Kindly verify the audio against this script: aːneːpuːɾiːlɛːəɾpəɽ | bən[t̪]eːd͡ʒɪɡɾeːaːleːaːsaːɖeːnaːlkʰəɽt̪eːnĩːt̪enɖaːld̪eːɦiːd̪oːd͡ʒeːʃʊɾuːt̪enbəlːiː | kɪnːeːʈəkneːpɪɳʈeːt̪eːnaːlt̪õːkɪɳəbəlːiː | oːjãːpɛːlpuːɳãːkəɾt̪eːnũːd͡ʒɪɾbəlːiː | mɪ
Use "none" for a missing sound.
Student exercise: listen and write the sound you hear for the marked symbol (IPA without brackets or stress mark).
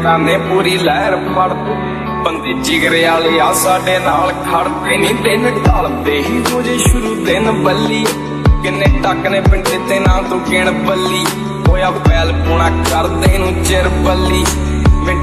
d̪